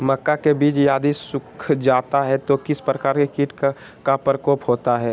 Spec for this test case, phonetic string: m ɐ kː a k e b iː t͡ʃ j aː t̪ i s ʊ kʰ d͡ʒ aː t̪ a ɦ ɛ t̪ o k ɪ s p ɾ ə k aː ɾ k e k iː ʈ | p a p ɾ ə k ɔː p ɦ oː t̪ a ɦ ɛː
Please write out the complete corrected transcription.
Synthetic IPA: m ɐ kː a k e b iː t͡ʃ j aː d̪ i s ʊ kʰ d͡ʒ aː t̪ a ɦ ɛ t̪ o k ɪ s p ɾ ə k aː ɾ k e k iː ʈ | k a p ɾ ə k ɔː p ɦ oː t̪ a ɦ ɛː